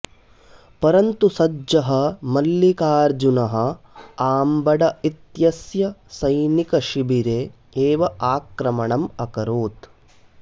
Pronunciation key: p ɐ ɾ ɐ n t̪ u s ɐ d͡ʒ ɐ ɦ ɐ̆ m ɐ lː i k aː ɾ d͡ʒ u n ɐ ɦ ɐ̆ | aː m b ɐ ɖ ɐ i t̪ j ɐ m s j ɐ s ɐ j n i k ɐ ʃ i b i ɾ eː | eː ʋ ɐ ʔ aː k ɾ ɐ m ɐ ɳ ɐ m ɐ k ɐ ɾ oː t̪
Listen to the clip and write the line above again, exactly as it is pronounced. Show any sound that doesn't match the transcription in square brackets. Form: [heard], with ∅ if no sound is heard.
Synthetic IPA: p ɐ ɾ ɐ n t̪ u s ɐ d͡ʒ ɐ ɦ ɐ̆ m ɐ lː i k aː ɾ d͡ʒ u n ɐ ɦ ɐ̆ | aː m b ɐ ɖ ɐ i t̪ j ɐ [∅] s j ɐ s ɐ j n i k ɐ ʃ i b i ɾ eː | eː ʋ ɐ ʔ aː k ɾ ɐ m ɐ ɳ ɐ m ɐ k ɐ ɾ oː t̪